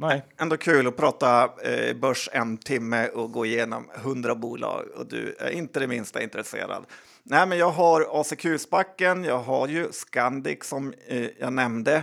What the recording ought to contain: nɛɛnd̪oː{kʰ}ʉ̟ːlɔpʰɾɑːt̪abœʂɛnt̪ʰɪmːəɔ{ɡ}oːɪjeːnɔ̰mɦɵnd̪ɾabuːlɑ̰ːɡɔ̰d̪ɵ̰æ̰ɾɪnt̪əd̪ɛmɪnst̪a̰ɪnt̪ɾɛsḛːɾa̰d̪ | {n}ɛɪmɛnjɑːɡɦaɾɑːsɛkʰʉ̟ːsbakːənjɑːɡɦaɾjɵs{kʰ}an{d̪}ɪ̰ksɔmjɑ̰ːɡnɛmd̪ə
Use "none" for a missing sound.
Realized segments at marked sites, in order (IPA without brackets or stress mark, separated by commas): kʰ, ɡ, n, k, d̪